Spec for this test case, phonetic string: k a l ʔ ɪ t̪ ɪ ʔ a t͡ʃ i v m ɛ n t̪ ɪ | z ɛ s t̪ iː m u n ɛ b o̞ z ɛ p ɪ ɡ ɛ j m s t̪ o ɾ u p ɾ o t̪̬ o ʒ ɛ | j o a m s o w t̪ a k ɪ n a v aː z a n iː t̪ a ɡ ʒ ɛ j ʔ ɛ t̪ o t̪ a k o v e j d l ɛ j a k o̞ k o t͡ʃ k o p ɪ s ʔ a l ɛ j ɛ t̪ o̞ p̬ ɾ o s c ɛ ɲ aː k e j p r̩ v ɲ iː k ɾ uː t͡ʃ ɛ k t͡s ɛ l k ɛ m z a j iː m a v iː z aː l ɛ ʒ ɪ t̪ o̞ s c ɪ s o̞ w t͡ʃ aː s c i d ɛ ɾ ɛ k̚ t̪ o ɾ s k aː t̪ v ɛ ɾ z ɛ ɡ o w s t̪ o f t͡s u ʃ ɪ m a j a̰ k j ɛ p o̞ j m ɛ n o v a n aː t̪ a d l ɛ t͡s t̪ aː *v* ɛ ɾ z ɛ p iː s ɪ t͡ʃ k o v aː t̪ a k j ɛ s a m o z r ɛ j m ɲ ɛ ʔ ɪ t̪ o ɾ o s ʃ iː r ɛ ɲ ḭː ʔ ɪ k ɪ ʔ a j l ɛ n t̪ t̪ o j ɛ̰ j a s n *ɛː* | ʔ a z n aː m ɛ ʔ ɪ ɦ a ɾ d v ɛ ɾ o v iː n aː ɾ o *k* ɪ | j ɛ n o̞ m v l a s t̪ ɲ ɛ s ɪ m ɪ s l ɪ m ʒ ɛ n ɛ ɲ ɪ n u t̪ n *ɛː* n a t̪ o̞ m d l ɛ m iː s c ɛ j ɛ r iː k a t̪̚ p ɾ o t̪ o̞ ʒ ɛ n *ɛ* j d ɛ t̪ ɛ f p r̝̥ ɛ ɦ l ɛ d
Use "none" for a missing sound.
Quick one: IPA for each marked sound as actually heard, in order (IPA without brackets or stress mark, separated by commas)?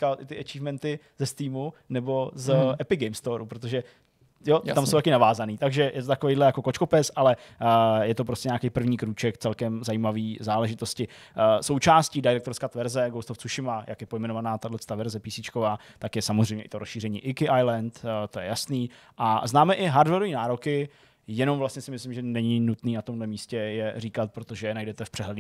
v, iː, k, iː, a